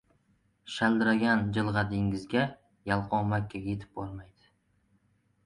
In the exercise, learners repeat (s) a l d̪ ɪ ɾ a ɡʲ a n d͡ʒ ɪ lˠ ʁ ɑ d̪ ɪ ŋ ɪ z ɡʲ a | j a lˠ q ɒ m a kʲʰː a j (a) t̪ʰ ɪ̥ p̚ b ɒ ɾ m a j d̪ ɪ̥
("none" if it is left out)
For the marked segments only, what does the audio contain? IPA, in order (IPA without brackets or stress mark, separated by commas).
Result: ʃ, e